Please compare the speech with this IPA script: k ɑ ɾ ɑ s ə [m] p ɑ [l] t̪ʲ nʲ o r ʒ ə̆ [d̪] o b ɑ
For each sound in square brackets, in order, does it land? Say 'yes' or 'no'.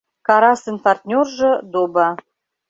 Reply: no, no, yes

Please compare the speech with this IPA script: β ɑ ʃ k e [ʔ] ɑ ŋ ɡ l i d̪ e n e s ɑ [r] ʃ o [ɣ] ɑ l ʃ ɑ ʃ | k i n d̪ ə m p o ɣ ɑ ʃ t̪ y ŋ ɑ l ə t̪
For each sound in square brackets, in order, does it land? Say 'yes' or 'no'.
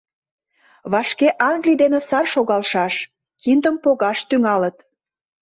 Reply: yes, yes, yes

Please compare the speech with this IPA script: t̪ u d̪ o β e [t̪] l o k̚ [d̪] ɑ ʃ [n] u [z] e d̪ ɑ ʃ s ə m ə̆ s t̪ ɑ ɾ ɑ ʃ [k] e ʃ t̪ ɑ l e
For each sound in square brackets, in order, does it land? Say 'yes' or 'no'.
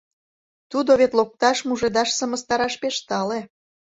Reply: yes, no, no, no, no

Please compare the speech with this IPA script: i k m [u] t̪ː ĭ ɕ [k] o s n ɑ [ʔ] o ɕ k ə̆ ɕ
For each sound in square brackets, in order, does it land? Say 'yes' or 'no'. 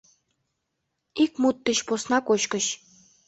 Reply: yes, no, no

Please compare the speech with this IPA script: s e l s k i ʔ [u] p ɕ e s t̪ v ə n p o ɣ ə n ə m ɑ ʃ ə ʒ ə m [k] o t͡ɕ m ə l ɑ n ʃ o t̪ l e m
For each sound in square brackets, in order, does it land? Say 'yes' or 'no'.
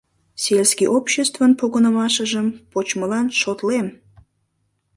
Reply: no, no

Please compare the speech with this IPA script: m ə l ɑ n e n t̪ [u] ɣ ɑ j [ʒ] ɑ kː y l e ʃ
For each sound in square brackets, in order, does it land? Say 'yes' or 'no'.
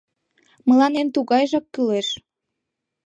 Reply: yes, yes

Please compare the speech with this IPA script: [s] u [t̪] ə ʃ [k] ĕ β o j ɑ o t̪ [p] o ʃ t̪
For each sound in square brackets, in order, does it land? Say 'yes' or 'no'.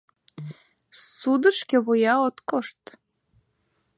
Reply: yes, no, yes, no

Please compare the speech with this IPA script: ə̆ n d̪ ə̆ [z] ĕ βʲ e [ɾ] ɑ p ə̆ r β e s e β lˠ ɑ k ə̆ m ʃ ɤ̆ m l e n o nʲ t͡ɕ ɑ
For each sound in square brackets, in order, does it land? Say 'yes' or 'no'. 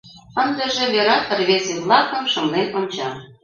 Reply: no, yes

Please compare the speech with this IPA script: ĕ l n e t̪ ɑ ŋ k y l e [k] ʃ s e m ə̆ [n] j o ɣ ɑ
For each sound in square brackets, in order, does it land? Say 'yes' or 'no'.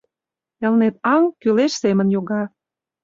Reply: no, yes

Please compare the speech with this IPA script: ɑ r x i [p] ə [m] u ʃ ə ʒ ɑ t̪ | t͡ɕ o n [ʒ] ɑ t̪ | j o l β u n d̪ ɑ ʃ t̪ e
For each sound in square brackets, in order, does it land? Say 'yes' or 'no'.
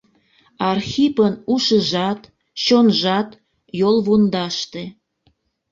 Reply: yes, no, yes

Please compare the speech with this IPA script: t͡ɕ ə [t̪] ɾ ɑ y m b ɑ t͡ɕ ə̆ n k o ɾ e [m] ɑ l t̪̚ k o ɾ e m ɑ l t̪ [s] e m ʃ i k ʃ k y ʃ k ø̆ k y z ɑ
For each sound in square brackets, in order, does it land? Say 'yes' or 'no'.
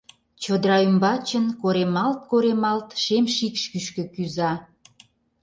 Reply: no, yes, no

